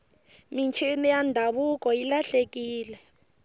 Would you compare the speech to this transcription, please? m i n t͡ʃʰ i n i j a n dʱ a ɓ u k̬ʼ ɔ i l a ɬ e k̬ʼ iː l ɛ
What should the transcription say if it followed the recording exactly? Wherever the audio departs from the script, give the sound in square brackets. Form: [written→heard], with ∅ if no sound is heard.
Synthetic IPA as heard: m i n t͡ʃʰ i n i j a n dʱ a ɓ u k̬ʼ ɔ i l a ɬ e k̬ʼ iː l ɛ